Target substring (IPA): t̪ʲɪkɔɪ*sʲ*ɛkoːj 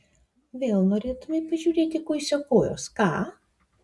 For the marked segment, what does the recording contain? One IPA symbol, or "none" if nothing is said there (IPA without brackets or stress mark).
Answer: sʲ